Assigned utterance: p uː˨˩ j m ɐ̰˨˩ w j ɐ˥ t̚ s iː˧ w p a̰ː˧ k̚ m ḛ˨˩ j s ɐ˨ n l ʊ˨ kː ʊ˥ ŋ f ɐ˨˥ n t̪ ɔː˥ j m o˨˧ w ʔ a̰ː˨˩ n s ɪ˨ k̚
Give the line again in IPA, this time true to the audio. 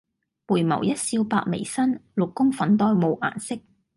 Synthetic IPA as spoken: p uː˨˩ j m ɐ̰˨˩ w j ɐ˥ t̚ s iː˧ w p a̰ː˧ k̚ m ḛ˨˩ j s ɐ˥ n l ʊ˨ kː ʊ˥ ŋ f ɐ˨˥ n t̪ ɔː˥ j m o˨˧ w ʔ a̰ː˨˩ n s ɪ˥ k̚

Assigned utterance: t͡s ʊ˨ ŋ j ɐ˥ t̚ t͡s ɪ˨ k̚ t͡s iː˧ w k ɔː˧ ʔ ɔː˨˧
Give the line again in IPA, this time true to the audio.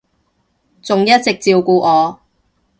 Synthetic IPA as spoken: t͡s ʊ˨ ŋ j ɐ˥ t̚ t͡s ɪ˨ k̚ t͡s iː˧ w k uː˧ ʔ ɔː˨˧

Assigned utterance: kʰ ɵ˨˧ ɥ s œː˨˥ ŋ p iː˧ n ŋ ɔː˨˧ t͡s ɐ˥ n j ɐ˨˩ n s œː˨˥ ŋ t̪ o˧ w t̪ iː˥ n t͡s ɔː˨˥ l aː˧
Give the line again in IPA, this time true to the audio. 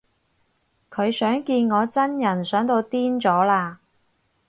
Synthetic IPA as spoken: kʰ ɵ˨˧ ɥ s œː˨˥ ŋ k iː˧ n ŋ ɔː˨˧ t͡s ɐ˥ n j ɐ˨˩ n s œː˨˥ ŋ t̪ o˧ w t̪ iː˥ n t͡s ɔː˨˥ l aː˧

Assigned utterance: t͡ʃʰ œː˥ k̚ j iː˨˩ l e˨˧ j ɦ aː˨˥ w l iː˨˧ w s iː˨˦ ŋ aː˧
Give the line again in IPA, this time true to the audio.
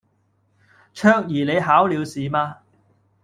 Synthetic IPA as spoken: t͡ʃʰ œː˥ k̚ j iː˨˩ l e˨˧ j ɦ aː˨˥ w l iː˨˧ w s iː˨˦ m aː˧

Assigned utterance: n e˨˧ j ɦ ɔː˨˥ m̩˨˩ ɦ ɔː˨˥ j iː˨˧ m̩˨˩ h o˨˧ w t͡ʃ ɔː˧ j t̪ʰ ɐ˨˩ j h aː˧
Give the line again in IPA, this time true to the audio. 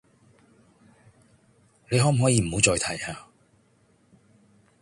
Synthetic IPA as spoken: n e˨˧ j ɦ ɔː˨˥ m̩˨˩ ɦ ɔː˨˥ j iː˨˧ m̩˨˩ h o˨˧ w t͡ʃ ɔː˧ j t̪ʰ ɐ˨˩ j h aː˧

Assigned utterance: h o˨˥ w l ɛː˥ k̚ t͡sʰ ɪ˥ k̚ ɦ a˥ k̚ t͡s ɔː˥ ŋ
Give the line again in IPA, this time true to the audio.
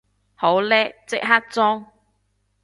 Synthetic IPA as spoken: h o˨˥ w l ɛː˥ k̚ t͡s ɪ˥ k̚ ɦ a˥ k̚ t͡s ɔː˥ ŋ

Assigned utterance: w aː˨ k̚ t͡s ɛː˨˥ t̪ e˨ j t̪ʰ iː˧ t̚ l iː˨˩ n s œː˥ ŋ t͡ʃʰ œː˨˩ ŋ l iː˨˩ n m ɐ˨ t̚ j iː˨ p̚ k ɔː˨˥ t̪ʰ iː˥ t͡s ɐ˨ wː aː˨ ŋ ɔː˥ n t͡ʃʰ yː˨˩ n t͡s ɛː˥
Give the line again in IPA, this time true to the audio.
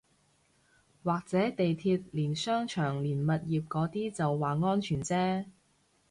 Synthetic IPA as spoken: w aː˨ k̚ t͡s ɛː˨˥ t̪ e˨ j t̪ʰ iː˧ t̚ l iː˨˩ n s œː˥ ŋ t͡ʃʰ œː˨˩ ŋ l iː˨˩ n m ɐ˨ t̚ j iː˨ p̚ k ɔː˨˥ t̪ iː˥ t͡s ɐ˨ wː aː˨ ŋ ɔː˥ n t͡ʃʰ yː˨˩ n t͡s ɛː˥

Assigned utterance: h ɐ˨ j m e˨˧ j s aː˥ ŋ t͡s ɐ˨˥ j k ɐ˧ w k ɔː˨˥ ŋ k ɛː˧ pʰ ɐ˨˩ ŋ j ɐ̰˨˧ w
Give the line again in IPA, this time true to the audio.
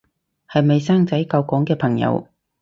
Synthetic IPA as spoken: h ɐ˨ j m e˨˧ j s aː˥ ŋ t͡s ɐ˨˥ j k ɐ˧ w k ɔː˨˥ ŋ k ɛː˧ pʰ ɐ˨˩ ŋ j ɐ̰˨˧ w

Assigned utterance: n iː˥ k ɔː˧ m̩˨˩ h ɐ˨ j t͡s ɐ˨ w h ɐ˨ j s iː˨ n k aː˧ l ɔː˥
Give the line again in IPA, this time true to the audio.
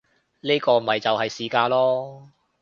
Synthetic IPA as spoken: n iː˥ k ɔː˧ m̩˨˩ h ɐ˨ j t͡s ɐ˨ w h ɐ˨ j s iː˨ k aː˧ l ɔː˥

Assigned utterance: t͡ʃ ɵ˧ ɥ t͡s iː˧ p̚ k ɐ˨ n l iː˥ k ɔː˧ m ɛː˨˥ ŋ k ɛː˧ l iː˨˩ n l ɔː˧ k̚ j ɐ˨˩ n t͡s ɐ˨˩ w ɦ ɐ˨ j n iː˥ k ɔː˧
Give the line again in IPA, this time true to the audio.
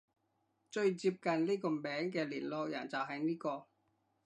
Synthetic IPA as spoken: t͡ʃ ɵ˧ ɥ t͡s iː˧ p̚ k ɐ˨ n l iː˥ k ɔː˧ m ɛː˨˥ ŋ k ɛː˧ l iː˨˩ n l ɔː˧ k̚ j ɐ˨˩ n t͡s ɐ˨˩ w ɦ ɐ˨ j n iː˥ k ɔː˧

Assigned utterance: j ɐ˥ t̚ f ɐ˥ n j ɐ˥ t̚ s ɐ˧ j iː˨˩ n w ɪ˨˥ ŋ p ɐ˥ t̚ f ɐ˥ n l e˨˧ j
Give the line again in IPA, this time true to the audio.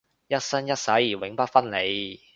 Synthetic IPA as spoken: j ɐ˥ t̚ s ɐ˥ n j ɐ˥ t̚ s ɐ˨˥ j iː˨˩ w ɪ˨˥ ŋ p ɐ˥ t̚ f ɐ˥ n l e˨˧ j

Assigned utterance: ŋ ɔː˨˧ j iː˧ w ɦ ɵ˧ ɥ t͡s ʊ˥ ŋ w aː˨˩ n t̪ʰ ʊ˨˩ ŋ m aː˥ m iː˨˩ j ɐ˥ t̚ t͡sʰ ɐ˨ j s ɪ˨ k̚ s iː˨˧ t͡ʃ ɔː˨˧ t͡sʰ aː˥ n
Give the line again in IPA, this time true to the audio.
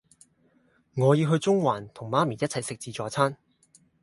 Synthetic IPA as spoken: ŋ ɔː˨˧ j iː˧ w ɦ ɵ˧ ɥ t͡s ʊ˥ ŋ w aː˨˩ n t̪ʰ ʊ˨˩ ŋ m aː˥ m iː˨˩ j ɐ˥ t̚ t͡sʰ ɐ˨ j s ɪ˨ k̚ t͡s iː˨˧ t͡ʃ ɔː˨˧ t͡sʰ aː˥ n

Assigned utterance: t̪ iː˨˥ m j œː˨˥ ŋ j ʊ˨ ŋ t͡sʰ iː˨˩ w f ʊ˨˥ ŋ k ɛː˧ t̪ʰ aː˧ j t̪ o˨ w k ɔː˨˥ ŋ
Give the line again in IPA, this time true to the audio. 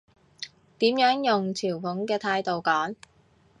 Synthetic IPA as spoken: t̪ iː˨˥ m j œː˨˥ ŋ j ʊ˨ ŋ t͡sʰ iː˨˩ w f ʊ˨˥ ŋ k ɛː˧ t̪ʰ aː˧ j t̪ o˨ w k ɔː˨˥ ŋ

